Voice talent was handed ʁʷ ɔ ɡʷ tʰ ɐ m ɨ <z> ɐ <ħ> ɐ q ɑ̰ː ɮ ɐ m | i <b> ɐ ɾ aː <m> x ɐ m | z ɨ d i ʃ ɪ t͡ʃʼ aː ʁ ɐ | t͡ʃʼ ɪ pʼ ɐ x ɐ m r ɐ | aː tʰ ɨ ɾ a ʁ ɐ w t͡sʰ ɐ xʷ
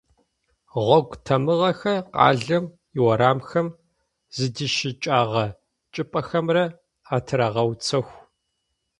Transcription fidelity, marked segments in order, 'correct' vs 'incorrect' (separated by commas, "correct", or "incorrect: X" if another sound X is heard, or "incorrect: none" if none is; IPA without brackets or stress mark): incorrect: ʁ, incorrect: x, incorrect: w, correct